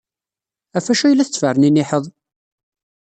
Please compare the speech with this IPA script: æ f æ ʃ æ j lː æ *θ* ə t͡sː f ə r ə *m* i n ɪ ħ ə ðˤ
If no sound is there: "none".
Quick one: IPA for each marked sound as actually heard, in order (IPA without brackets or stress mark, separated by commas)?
θ, n